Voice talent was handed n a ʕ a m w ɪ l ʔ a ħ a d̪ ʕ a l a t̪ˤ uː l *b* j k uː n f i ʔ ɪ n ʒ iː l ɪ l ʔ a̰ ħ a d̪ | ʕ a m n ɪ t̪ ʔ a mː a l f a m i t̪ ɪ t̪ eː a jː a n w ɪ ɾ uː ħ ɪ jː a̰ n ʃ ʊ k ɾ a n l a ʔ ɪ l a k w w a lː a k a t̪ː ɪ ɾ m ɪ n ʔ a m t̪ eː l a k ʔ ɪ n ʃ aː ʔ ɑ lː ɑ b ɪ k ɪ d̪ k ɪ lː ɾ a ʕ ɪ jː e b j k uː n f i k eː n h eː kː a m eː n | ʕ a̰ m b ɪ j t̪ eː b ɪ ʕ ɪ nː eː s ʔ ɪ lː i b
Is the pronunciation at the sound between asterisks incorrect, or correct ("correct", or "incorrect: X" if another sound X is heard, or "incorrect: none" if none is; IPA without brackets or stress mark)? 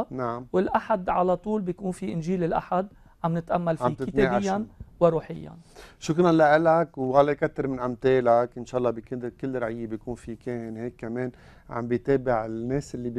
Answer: correct